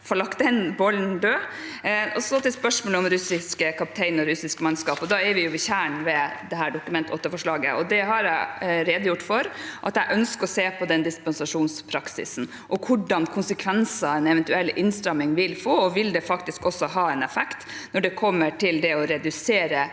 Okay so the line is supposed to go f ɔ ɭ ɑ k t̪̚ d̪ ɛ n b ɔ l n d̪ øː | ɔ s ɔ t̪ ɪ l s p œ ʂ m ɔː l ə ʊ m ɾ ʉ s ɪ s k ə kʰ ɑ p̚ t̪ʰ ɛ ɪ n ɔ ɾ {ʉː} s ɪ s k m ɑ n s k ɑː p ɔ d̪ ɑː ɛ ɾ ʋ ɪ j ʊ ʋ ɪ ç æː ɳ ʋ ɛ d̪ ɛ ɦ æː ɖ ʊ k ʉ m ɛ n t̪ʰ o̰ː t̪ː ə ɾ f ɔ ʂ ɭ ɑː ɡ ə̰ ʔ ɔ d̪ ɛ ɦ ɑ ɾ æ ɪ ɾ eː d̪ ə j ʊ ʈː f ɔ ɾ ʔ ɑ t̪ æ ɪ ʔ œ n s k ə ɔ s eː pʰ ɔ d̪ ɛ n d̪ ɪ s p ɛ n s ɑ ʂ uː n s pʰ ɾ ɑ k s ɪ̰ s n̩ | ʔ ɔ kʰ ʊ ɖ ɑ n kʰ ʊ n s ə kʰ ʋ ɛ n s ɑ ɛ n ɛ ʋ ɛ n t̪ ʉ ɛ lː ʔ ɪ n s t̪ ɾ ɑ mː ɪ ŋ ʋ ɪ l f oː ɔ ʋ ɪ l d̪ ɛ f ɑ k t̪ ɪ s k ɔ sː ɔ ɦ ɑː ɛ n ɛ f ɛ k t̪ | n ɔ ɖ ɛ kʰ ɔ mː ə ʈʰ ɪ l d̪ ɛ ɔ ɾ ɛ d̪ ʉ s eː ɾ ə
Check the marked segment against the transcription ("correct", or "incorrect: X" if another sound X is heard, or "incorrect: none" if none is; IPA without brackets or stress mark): incorrect: ʉ